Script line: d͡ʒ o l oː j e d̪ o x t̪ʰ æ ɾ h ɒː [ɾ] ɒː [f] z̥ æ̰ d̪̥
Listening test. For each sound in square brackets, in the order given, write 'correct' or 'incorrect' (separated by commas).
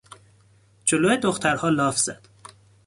incorrect, correct